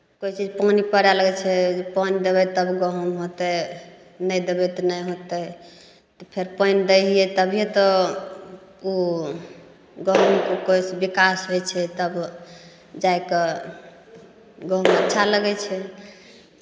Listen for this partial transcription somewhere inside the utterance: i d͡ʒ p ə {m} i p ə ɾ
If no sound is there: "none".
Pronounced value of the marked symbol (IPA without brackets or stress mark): n